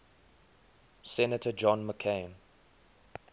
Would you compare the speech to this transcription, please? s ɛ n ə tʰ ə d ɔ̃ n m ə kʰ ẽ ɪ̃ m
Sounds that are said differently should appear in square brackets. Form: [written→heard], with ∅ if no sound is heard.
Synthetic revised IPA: s ɛ n ə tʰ ə [d→d͡ʒ] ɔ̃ n m ə kʰ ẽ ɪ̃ [m→n]